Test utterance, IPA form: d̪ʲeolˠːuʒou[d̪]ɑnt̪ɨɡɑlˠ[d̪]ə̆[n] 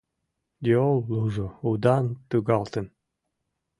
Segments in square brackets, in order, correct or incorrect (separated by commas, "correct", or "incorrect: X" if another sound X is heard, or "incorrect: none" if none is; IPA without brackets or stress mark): correct, incorrect: t̪, correct